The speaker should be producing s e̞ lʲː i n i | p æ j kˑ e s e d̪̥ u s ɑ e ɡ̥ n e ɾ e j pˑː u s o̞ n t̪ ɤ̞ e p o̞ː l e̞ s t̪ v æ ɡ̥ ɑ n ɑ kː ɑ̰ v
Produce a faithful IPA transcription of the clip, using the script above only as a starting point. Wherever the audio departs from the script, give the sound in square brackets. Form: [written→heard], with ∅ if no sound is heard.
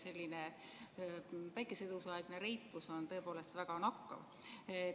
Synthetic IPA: s e̞ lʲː i n [i→e] | p æ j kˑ e s e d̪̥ u s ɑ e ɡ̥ n e ɾ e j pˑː u s o̞ n t̪ ɤ̞ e p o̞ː l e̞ s t̪ v æ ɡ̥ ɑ n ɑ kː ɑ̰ v